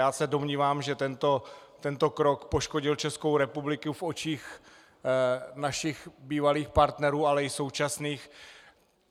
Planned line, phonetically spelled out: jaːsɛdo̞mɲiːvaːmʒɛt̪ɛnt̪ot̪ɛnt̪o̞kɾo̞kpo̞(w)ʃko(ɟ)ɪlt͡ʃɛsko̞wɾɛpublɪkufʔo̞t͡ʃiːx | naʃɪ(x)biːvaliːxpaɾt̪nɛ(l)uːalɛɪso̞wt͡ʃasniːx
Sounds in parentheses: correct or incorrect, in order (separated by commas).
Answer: incorrect, correct, correct, incorrect